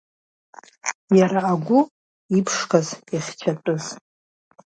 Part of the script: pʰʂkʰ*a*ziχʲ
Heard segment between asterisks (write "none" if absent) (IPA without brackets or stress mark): a